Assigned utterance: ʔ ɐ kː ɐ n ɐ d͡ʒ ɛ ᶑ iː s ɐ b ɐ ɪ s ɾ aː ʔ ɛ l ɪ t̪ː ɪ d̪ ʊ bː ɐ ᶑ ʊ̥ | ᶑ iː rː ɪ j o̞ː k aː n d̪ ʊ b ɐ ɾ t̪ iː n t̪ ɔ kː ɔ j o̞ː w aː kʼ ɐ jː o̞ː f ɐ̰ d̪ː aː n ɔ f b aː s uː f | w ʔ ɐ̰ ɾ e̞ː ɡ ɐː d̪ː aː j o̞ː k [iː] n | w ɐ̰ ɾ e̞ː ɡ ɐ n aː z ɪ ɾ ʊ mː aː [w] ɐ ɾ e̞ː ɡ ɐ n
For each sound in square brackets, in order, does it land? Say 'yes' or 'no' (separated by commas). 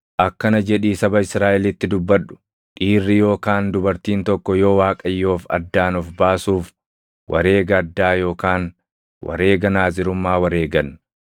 no, yes